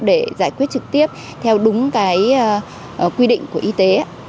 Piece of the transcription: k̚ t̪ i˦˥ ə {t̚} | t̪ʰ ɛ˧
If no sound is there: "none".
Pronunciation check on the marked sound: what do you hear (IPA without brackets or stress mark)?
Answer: p̚